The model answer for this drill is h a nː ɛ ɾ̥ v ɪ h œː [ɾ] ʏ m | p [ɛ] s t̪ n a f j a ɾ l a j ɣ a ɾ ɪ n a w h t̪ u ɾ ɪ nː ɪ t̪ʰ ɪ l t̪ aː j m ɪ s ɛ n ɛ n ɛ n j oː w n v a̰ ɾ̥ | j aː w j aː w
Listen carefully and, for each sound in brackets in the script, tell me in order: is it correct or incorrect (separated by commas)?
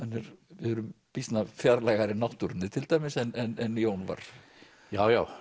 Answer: correct, incorrect